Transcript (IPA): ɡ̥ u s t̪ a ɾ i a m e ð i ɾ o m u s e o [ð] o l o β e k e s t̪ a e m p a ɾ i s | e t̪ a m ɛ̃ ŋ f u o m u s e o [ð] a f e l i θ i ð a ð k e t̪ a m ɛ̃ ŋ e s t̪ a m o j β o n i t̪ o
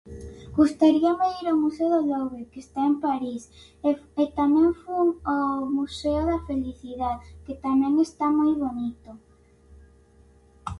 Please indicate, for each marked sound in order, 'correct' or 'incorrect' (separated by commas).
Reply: correct, correct